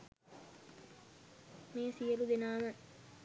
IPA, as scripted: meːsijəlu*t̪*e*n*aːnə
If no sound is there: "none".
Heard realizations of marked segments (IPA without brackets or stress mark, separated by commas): d̪, n